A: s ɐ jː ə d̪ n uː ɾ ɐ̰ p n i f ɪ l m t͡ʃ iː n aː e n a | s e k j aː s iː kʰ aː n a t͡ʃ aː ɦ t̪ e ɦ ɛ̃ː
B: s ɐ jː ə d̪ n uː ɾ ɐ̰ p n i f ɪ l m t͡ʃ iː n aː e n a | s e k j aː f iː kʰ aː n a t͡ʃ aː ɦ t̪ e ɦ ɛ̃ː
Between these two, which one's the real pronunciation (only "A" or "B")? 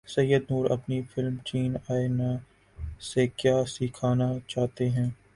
A